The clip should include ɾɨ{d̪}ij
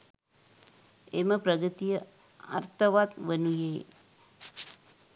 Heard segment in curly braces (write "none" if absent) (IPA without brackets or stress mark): t̪